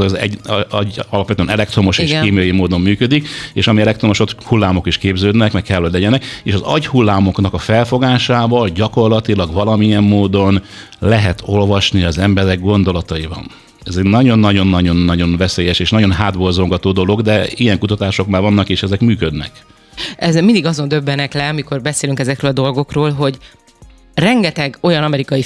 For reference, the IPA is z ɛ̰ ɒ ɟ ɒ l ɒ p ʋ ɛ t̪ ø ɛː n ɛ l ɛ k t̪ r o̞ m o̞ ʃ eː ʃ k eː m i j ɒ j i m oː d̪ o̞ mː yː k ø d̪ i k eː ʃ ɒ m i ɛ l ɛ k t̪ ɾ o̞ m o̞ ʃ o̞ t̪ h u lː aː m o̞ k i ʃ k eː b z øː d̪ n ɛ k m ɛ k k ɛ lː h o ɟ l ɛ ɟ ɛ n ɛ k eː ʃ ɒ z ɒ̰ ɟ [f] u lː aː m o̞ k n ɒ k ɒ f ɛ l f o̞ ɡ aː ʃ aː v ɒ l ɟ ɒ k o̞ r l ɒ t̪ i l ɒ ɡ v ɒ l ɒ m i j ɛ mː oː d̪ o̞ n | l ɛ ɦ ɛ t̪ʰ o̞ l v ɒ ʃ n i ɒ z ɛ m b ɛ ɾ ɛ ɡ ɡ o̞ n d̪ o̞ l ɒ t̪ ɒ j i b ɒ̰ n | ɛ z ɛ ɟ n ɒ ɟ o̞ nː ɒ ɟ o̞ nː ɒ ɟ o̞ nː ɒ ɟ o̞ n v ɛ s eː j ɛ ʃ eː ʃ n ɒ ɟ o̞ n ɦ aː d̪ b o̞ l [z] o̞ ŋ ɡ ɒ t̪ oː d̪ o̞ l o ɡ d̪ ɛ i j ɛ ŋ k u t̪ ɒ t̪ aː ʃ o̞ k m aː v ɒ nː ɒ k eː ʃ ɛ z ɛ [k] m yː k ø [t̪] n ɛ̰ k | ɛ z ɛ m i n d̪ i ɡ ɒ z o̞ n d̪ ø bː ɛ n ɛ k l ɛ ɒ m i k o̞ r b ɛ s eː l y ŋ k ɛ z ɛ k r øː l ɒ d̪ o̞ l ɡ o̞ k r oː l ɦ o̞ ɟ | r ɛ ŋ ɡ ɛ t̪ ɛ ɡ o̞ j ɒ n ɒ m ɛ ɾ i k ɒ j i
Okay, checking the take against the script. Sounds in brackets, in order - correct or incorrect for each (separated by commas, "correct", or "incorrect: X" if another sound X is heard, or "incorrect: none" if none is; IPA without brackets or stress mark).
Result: incorrect: h, correct, correct, incorrect: d̪